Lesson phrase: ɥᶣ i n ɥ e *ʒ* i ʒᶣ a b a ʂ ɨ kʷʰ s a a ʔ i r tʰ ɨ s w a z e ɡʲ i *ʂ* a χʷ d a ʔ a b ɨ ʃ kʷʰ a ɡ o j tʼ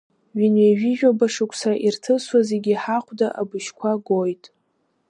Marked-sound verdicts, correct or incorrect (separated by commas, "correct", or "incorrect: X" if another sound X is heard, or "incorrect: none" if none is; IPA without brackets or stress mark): correct, incorrect: ħ